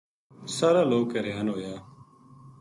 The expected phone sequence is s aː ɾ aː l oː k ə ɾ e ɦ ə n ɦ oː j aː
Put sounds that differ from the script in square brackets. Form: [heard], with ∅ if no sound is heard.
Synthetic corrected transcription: s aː ɾ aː l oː k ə ɾ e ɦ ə n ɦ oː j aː

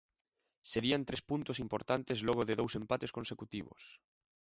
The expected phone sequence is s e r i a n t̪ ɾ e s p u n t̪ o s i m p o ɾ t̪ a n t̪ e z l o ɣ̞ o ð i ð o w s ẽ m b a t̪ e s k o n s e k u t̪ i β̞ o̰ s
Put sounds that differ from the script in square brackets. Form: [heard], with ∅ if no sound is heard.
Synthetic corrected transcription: s e [ɾ] i a n t̪ ɾ e s p u n t̪ o s i m p o ɾ t̪ a n t̪ e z l o ɣ̞ o ð [e] ð o w s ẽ m [p] a t̪ e s k o n s e k u t̪ i β̞ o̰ s

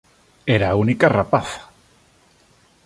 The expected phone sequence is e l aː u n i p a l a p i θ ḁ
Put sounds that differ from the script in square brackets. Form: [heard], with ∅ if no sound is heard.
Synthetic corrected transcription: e [ɾ] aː u n i [k] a [r] a p [a] θ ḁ

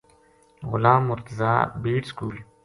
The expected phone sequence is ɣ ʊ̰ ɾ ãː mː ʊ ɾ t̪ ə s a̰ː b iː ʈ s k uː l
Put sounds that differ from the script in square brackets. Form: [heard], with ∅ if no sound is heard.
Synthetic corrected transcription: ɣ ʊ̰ [l] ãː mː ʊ ɾ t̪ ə [z] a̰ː b iː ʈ s k uː l

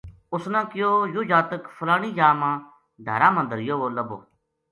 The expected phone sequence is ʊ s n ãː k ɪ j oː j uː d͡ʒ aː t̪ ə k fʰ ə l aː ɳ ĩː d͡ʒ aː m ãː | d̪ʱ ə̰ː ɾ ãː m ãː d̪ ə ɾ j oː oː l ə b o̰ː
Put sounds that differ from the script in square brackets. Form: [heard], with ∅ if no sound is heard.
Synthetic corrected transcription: ʊ s n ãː k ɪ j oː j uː d͡ʒ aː t̪ ə k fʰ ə l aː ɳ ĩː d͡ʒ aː m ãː | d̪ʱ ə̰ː ɾ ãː m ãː d̪ ə ɾ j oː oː l ə b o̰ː

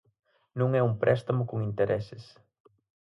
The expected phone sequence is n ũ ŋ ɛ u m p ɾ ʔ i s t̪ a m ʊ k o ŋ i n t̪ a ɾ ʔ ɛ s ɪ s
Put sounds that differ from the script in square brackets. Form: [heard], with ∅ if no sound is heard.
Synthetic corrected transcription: n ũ ŋ ɛ u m p ɾ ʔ [ɛ] s t̪ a m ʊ k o ŋ i n t̪ [e] ɾ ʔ ɛ s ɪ s

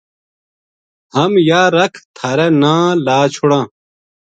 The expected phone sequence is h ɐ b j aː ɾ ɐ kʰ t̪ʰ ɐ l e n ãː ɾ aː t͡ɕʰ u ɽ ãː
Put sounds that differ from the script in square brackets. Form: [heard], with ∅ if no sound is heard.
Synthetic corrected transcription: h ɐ [m] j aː ɾ ɐ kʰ t̪ʰ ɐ [ɾ] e n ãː [l] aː t͡ɕʰ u ɽ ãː

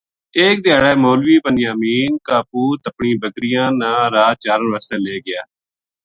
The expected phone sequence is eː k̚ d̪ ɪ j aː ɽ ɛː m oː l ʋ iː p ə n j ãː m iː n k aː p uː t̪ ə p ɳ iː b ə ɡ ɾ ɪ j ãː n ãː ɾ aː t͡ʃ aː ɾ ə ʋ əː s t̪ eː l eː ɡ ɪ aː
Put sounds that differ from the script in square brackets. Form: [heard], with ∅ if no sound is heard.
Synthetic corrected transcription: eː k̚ d̪ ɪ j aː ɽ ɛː m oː l ʋ iː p ə n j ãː m iː n k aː p uː t̪ ə p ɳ iː b ə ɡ ɾ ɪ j ãː n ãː ɾ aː t͡ʃ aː ɾ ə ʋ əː s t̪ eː l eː ɡ ɪ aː

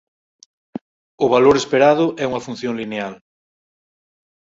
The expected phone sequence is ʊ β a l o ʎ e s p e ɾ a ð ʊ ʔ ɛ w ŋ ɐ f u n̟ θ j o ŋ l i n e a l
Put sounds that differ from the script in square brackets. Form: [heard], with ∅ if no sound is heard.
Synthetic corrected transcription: ʊ β a l o [ɾ] e s p e ɾ a ð ʊ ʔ ɛ [u] ŋ ɐ f u n̟ θ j o ŋ l i n e a l

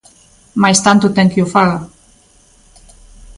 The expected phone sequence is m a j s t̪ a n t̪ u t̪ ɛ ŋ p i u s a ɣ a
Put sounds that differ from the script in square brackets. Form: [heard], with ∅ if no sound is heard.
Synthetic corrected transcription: m a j s t̪ a n t̪ u t̪ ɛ ŋ [k] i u [f] a ɣ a

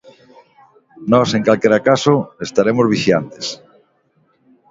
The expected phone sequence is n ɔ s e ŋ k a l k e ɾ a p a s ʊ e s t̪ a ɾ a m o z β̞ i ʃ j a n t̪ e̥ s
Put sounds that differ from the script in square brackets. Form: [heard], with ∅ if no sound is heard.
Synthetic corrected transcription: n ɔ s e ŋ k a l k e ɾ a [k] a s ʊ e s t̪ a ɾ [e] m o z β̞ i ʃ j a n t̪ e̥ s

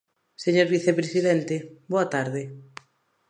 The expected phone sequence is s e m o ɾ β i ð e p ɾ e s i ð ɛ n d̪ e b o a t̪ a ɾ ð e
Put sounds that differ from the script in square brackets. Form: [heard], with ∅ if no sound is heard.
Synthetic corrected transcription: s e [ɲ] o ɾ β i [θ] e p ɾ e s i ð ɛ n [t̪] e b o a t̪ a ɾ ð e

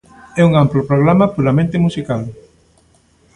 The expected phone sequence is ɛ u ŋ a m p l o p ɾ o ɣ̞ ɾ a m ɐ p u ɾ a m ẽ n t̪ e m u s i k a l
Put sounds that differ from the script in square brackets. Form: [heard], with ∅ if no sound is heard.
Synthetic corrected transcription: ɛ u ŋ a m p l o p ɾ o ɣ̞ ɾ a m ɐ p u ɾ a m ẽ n t̪ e m u s i k a l

